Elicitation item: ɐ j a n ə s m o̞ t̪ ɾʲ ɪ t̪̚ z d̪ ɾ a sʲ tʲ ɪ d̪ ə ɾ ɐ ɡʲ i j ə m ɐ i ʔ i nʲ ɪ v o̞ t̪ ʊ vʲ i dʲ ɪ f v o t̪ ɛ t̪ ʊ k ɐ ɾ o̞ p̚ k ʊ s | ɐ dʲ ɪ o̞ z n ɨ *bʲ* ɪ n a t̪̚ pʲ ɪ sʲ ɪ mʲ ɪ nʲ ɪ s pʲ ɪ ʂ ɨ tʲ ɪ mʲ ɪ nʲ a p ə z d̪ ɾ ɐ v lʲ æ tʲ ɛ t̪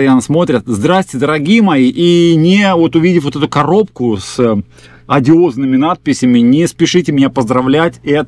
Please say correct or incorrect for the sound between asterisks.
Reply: incorrect